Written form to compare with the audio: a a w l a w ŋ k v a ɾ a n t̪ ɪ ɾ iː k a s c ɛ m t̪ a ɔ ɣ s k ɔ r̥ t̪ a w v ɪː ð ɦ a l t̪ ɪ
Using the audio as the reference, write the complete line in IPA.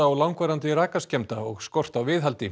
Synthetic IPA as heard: a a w l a w ŋ k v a ɾ a n t̪ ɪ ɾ aː k a s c ɛ m t̪ a ɔ ɣ s k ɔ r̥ t̪ a w v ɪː ð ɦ a l t̪ ɪ